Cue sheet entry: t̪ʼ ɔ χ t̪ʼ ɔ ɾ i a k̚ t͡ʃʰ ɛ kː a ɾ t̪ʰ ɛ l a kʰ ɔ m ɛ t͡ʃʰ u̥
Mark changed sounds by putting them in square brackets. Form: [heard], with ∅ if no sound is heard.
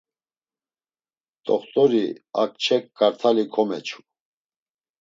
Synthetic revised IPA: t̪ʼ ɔ χ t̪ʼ ɔ ɾ i a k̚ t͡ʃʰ ɛ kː a ɾ t̪ʰ [a] l [i] kʰ ɔ m ɛ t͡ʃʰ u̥